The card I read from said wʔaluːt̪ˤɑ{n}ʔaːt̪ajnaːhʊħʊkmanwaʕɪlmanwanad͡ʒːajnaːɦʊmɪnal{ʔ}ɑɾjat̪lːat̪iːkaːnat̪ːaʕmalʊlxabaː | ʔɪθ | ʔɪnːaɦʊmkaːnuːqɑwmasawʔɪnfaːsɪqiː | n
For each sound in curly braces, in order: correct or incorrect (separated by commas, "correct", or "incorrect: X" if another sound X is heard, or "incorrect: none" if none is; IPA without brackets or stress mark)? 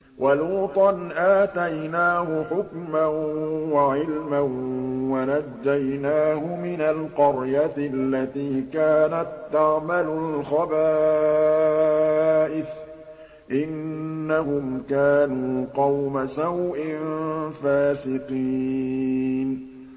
correct, incorrect: q